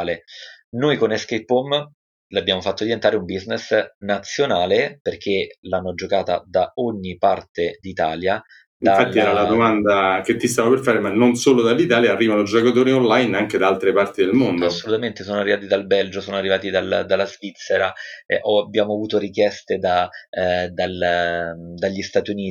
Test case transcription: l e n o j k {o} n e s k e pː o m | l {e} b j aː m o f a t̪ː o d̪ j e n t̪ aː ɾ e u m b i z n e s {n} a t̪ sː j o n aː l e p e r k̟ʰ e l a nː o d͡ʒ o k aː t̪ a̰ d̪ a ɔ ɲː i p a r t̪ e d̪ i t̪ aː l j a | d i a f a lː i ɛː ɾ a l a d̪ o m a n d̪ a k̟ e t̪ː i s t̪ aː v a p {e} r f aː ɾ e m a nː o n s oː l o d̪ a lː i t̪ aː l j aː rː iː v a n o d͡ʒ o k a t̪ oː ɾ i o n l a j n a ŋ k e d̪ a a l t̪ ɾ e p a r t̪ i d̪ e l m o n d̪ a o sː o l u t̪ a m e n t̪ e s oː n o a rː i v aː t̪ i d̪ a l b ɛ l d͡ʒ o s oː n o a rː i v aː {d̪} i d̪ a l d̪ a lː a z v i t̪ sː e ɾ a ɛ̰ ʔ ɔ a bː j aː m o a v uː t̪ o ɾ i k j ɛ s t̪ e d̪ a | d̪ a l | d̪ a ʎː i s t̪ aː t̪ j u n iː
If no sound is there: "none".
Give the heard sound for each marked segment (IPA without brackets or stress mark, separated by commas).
o, a, n, e, t̪